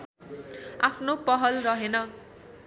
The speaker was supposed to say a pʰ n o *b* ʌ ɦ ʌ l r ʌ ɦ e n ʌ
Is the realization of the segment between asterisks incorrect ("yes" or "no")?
yes